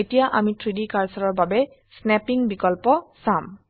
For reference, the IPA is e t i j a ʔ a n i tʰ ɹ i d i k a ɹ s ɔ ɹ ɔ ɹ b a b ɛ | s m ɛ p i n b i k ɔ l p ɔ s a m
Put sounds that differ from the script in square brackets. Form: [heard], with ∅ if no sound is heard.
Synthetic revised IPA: e t i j a ʔ a [m] i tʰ ɹ i d i k a ɹ s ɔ ɹ ɔ ɹ b a b ɛ | s [n] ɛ p i [ŋ] b i k ɔ l p ɔ s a m